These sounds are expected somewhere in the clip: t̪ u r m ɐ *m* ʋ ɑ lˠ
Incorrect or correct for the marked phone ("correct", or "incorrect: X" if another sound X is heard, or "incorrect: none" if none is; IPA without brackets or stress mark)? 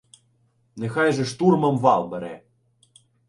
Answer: correct